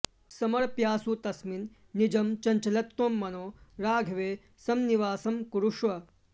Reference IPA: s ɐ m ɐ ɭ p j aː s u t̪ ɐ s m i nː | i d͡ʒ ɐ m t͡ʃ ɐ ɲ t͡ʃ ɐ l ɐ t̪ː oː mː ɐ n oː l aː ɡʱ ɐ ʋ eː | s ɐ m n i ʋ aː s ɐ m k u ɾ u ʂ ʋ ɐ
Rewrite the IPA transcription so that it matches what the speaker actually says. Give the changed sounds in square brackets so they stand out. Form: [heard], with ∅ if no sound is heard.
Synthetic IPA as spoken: s ɐ m ɐ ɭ p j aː s u t̪ ɐ s m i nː | i d͡ʒ ɐ m t͡ʃ ɐ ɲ t͡ʃ ɐ l ɐ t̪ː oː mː ɐ n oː [ɾ] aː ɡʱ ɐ ʋ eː | s ɐ m n i ʋ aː s ɐ m k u ɾ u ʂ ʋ ɐ